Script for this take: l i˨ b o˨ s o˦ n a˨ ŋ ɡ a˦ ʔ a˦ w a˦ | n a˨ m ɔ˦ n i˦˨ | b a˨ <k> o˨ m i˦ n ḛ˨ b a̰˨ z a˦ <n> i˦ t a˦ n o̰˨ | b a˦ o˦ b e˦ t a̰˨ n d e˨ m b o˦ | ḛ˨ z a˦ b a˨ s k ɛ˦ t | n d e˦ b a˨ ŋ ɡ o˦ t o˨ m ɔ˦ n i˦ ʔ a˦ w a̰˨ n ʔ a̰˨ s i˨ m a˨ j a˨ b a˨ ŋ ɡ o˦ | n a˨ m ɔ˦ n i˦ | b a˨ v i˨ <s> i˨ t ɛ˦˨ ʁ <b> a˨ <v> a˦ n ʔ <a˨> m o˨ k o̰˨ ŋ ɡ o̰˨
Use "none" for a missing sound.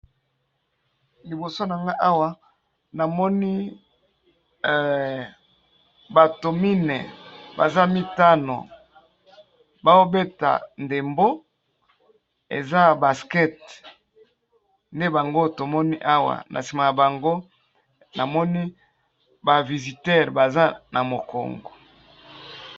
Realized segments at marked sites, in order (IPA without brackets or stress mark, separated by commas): t, m, z, b, z, a˨